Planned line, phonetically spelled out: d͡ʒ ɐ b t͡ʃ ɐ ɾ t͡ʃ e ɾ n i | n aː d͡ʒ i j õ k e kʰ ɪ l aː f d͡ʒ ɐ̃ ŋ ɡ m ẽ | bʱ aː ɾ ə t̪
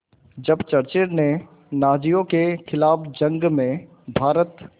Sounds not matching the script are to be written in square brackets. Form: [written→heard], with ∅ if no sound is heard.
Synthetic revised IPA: d͡ʒ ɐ b t͡ʃ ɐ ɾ t͡ʃ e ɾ n [i→e] | n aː d͡ʒ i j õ k e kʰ ɪ l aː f d͡ʒ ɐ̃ ŋ ɡ m ẽ | bʱ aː ɾ ə t̪